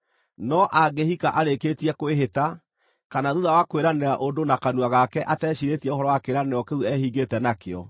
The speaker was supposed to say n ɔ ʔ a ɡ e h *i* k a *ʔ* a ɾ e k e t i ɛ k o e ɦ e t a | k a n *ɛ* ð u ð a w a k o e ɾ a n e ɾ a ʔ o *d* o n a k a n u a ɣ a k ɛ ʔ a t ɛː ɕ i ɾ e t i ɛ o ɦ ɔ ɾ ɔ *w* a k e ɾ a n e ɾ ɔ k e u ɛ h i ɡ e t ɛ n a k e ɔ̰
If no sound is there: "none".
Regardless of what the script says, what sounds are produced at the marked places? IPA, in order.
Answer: i, ʔ, a, d, w

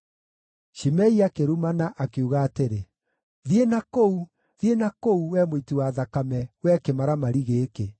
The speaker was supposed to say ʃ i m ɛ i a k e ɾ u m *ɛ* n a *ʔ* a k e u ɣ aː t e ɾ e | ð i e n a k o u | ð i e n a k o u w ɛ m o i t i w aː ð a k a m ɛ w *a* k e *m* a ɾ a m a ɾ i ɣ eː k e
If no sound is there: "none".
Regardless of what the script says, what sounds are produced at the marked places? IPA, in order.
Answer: a, ʔ, ɛ, m

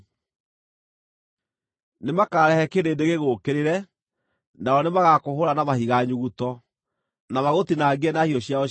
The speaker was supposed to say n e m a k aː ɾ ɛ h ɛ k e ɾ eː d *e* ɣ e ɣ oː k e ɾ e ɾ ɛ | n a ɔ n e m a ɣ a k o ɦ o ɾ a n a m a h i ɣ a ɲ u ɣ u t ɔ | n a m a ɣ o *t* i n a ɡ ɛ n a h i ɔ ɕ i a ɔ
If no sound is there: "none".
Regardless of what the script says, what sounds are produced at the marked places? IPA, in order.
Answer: e, t

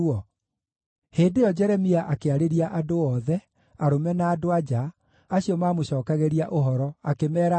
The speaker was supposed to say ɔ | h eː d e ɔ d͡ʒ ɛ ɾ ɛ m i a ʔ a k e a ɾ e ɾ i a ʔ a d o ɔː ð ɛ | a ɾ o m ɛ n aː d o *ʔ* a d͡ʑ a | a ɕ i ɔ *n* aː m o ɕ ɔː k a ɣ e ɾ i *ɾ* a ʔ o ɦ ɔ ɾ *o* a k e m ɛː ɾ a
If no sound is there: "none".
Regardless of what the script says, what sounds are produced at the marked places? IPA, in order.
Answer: none, m, none, ɔ

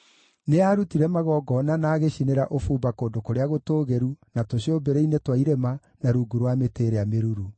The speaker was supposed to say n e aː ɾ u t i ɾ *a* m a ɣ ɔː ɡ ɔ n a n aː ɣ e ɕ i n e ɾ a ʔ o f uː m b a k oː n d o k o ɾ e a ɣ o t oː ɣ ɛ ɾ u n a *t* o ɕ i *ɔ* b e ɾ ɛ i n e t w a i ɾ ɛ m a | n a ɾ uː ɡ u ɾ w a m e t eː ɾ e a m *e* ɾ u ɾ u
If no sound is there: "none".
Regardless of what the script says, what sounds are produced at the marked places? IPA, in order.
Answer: ɛ, t, o, e

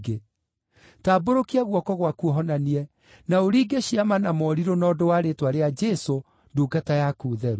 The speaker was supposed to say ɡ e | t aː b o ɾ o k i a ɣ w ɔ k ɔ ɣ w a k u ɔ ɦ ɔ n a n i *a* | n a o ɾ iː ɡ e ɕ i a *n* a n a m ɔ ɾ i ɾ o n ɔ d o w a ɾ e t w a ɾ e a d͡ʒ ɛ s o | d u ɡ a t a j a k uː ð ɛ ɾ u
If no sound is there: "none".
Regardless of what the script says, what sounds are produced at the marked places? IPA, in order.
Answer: ɛ, m

